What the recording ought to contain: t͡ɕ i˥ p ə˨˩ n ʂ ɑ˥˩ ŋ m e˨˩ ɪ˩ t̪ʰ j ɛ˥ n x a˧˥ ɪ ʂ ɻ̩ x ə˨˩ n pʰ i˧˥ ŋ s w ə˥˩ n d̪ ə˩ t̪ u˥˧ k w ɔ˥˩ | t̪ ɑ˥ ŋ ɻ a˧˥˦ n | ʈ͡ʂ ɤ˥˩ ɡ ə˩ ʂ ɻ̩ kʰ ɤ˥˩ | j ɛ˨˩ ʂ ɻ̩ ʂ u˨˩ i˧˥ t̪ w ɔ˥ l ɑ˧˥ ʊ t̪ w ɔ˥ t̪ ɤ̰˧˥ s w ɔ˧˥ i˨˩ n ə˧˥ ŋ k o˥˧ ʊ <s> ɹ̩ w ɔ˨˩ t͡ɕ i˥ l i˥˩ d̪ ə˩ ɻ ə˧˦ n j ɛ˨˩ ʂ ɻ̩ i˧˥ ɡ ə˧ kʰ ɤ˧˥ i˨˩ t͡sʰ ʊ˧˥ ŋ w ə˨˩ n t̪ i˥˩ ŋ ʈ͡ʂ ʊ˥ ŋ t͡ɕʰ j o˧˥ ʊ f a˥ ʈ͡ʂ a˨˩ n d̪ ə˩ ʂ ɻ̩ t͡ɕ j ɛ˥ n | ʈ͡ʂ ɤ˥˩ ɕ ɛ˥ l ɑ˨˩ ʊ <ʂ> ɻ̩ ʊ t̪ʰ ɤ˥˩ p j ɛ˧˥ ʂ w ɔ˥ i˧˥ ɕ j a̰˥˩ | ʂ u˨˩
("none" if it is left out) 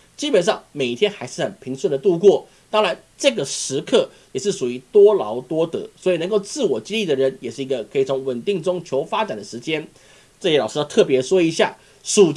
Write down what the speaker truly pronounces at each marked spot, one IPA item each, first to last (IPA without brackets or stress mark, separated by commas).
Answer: t͡s, ʂ